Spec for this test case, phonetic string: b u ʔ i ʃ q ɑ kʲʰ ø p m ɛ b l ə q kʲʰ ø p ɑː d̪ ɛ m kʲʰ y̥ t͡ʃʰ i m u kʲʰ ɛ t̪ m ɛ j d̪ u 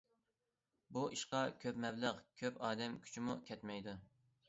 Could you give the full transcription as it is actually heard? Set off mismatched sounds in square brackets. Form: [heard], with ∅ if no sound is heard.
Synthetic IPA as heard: b u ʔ i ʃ q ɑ kʲʰ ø p m ɛ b l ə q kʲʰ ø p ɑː d̪ ɛ m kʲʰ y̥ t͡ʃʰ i m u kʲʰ ɛ t̪ m ɛ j d̪ u